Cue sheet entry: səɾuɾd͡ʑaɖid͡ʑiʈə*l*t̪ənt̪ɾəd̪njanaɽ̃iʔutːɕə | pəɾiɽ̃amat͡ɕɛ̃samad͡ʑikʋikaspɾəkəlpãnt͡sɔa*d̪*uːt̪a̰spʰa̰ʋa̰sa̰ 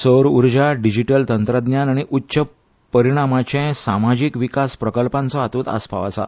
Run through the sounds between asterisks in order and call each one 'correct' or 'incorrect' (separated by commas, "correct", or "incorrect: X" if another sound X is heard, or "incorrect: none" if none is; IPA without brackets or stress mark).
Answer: correct, incorrect: t̪